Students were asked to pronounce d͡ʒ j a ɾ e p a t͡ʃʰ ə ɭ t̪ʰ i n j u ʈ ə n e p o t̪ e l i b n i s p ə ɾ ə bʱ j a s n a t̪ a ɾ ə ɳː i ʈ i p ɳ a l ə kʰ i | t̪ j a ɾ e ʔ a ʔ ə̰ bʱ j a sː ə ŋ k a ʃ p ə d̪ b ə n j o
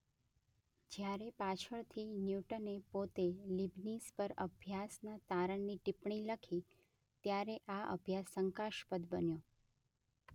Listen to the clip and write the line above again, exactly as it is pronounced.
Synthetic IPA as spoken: d͡ʒ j a ɾ e p a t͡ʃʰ ə ɭ t̪ʰ i n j u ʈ ə n e p o t̪ e l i b n i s p ə ɾ ə bʱ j a s n a t̪ a ɾ ə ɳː i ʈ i p ɳ i l ə kʰ i | t̪ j a ɾ e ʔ a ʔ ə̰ bʱ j a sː ə ŋ k a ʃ p ə d̪ b ə n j o